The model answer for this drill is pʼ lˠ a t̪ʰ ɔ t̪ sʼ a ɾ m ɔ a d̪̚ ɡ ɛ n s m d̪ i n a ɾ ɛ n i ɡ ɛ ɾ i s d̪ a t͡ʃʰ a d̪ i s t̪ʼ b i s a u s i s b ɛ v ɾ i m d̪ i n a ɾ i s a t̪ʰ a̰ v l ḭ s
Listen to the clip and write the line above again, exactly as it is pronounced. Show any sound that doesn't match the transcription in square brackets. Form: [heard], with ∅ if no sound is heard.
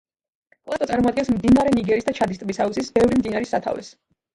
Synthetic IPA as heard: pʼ lˠ a [t̪] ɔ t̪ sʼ a ɾ m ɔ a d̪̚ ɡ ɛ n s m d̪ i n a ɾ ɛ n i ɡ ɛ ɾ i s d̪ a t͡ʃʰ a d̪ i s t̪ʼ b i s a u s i s b ɛ v ɾ i m d̪ i n a ɾ i s a t̪ʰ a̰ v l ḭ s